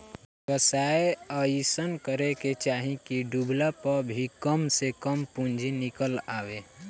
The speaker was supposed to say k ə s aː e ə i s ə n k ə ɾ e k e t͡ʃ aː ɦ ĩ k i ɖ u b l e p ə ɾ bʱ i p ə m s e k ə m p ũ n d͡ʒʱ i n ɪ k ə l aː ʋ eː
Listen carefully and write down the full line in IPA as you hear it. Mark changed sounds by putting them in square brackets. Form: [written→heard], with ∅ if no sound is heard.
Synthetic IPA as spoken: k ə s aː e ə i s ə n k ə ɾ e k e t͡ʃ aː ɦ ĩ k i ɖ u b l [e→a] p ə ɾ bʱ i [p→k] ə m s e k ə m p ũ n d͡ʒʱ i n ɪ k ə l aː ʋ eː